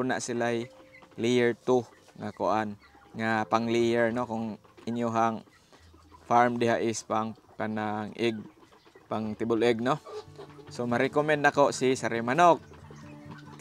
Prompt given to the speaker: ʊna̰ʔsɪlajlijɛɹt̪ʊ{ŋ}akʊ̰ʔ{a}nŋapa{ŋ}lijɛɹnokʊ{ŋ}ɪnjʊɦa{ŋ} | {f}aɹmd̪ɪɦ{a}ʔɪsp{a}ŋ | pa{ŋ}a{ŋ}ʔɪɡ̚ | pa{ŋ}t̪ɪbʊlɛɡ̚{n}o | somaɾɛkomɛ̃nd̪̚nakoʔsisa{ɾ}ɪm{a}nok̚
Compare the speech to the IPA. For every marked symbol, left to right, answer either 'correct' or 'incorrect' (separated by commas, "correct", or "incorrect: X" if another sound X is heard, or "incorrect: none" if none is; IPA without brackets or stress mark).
correct, correct, correct, correct, correct, correct, correct, correct, incorrect: n, correct, correct, correct, correct, correct